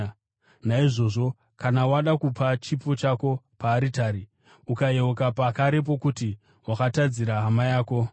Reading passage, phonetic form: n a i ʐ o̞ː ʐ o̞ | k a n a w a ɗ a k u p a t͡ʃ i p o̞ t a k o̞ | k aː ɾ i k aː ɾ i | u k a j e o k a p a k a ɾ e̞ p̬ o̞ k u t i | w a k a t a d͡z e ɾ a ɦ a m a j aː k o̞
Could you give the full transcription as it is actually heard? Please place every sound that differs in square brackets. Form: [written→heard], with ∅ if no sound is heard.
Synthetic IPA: n a i ʐ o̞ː ʐ o̞ | k a n a w a ɗ a k u p a t͡ʃ i p o̞ [t→t͡ʃ] a k o̞ | [k→p] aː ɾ i [k→t] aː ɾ i | u k a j e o k a p a k a ɾ e̞ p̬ o̞ k u t i | w a k a t a d͡z [e→i] ɾ a ɦ a m a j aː k o̞

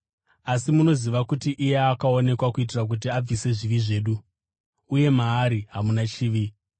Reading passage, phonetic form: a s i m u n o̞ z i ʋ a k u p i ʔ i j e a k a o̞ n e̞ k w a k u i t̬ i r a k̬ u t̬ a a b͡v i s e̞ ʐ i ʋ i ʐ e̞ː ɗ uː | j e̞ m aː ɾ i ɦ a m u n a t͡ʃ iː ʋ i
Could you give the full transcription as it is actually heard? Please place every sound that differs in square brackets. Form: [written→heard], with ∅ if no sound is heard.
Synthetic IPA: a s i m u n o̞ z i ʋ a k u [p→t] i ʔ i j e a k a o̞ n e̞ k w a k u i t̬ i r a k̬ u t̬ [a→i] a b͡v i s e̞ ʐ i ʋ i ʐ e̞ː ɗ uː | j e̞ m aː ɾ i ɦ a m u n a t͡ʃ iː ʋ i

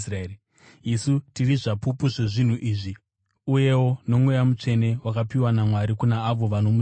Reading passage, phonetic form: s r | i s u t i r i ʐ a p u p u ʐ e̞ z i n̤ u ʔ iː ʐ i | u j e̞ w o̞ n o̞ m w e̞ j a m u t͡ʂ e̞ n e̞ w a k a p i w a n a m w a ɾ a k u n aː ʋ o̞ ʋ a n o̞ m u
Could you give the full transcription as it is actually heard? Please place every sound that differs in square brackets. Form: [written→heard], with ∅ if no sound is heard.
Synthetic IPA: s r | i s u t i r i ʐ a p u p u ʐ e̞ [z→ʐ] i n̤ u ʔ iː ʐ i | u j e̞ w o̞ n o̞ m w e̞ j a m u t͡ʂ e̞ n e̞ w a k a p i w a n a m w a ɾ [a→i] k u n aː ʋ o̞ ʋ a n o̞ m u

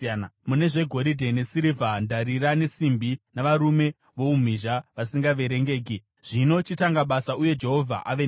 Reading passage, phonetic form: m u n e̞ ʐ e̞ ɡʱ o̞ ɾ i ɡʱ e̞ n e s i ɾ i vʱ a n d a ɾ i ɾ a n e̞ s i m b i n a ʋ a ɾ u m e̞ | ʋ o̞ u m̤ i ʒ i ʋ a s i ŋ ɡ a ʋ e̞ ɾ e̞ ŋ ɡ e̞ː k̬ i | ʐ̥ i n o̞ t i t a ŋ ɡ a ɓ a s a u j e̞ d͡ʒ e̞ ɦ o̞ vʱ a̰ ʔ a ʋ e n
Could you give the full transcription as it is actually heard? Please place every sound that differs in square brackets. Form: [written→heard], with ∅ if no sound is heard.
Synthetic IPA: m u n e̞ ʐ e̞ ɡʱ o̞ ɾ i [ɡʱ→dʱ] e̞ n e s i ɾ i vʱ a n d a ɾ i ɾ a n e̞ s i m b i n a ʋ a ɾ u m e̞ | ʋ o̞ u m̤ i ʒ [i→a] ʋ a s i ŋ ɡ a ʋ e̞ ɾ e̞ ŋ ɡ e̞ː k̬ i | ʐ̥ i n o̞ [t→t͡ʃ] i t a ŋ ɡ a ɓ a s a u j e̞ d͡ʒ e̞ ɦ o̞ vʱ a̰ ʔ a ʋ e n

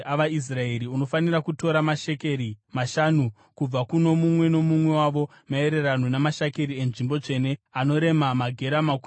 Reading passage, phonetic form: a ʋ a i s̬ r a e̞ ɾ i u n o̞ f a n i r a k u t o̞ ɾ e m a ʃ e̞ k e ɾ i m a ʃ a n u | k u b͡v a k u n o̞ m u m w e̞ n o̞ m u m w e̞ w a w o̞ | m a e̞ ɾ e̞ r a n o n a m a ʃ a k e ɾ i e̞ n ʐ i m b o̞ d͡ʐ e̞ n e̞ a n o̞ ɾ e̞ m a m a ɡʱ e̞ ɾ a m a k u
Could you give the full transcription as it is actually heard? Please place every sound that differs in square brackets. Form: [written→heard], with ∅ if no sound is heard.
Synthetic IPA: a ʋ a i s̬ r a e̞ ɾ i u n o̞ f a n i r a k u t o̞ ɾ [e→a] m a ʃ e̞ k e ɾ i m a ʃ a n u | k u b͡v a k u n o̞ m u m w e̞ n o̞ m u m w e̞ w a [w→ʋ] o̞ | m a e̞ ɾ e̞ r a n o n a m a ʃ a k e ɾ i e̞ n ʐ i m b o̞ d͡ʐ e̞ n e̞ a n o̞ ɾ e̞ m a m a ɡʱ e̞ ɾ a m a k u

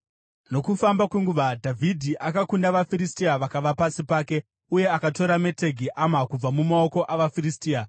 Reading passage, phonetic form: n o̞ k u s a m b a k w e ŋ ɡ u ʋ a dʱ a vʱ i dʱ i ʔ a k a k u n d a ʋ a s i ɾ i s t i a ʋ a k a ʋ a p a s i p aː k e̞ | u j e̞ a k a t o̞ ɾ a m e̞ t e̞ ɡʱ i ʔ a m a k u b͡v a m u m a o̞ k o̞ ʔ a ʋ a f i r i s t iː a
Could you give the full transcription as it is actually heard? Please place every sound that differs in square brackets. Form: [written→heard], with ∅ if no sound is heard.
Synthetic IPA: n o̞ k u [s→f] a m b a k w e ŋ ɡ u ʋ a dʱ a vʱ i dʱ i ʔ a k a k u n d a ʋ a [s→f] i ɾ i s t i a ʋ a k a ʋ a p a s i p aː k e̞ | u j e̞ a k a t o̞ ɾ a m e̞ t e̞ ɡʱ i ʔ a m a k u b͡v a m u m a o̞ k o̞ ʔ a ʋ a f i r i s t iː a

